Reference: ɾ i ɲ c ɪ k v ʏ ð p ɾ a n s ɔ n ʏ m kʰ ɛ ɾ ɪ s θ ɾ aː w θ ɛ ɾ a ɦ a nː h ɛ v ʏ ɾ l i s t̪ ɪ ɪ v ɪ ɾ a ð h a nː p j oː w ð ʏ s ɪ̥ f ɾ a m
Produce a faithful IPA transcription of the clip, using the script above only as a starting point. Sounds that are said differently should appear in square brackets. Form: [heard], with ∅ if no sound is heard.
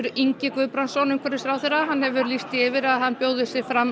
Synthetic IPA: ɾ i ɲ c ɪ k v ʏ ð p ɾ a n s ɔ n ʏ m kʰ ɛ ɾ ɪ s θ ɾ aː w θ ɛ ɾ a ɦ a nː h ɛ v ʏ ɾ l i s t̪ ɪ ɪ v ɪ ɾ a ð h a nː p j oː w ð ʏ s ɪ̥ f ɾ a m